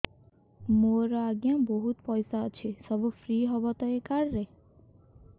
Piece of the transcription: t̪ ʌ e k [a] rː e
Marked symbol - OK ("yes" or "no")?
yes